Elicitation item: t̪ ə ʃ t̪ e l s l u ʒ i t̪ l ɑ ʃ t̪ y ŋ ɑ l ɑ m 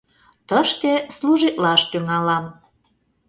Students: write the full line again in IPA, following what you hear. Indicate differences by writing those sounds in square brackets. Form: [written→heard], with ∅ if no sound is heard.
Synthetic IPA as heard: t̪ ə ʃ t̪ e [l→∅] s l u ʒ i t̪ l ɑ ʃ t̪ y ŋ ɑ l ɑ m